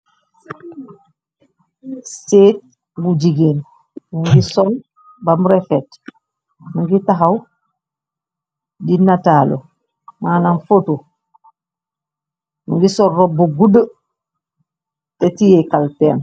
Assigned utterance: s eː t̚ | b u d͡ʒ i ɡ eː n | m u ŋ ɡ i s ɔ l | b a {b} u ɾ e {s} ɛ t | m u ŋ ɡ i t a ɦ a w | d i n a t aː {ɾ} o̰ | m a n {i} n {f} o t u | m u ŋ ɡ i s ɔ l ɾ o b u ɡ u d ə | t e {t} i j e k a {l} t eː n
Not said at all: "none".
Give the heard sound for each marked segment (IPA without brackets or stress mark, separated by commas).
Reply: m, f, l, a, f, t, l